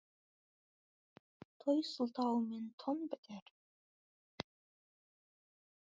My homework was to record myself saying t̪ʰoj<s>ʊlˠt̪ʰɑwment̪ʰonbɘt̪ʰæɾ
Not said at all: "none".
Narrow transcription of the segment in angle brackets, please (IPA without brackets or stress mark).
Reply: s